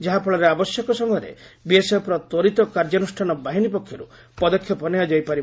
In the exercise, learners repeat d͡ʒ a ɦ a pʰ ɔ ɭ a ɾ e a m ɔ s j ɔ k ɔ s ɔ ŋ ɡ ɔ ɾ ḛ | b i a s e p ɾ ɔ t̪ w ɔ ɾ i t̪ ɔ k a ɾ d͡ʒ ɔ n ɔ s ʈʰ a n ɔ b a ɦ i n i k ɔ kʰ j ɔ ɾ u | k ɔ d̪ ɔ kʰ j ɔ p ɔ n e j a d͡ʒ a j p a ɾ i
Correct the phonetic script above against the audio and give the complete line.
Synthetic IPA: d͡ʒ a ɦ a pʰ ɔ ɭ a ɾ e a b ɔ s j ɔ k ɔ s ɔ ŋ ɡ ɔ ɾ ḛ | b i e s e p ɾ ɔ t̪ w ɔ ɾ i t̪ ɔ k a ɾ d͡ʒ ɔ n u s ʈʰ a n ɔ b a ɦ i n i p ɔ kʰ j ɔ ɾ u | p ɔ d̪ ɔ kʰ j ɔ p ɔ n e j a d͡ʒ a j p a ɾ i